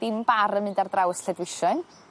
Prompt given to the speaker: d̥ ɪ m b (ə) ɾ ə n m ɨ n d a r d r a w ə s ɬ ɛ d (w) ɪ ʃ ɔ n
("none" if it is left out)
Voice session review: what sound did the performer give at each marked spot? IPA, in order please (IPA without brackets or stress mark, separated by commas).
a, w